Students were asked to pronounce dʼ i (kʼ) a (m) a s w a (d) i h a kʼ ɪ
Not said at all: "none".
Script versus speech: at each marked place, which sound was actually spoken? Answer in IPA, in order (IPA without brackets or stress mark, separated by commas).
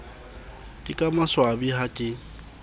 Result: kʼ, m, b